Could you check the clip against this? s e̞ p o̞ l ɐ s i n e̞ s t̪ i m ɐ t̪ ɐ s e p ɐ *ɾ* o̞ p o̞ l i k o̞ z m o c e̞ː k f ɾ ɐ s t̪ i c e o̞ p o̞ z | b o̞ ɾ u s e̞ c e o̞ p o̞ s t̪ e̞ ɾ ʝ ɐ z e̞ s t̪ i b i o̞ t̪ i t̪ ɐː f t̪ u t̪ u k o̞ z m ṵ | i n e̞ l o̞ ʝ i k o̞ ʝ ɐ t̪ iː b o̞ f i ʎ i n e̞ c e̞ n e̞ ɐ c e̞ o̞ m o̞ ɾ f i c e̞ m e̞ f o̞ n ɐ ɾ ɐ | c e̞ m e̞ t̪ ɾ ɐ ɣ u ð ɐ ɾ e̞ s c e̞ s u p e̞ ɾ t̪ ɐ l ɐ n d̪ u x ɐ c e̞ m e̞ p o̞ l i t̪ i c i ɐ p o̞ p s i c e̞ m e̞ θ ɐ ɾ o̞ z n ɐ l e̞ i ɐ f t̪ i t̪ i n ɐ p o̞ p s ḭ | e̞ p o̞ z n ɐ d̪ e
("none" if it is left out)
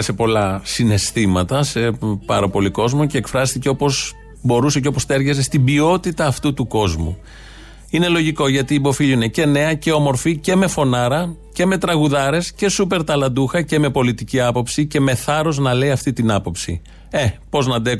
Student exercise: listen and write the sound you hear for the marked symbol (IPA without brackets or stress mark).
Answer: ɾ